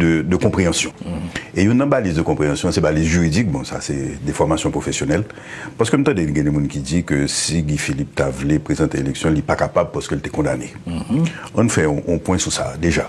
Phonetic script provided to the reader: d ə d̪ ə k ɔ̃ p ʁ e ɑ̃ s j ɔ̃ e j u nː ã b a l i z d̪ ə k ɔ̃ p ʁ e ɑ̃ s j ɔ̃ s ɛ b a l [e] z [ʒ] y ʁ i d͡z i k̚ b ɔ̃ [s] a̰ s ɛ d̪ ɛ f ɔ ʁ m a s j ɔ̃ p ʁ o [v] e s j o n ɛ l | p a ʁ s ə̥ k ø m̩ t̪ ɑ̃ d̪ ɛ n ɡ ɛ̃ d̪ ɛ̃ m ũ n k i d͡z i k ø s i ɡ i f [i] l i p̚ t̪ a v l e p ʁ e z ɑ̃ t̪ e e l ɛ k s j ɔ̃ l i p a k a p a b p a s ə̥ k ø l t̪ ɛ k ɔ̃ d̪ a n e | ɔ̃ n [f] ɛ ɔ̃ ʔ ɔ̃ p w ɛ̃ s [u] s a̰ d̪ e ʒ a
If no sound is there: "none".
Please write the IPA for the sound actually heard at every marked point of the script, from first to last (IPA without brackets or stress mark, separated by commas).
i, ʒ, s, f, i, f, u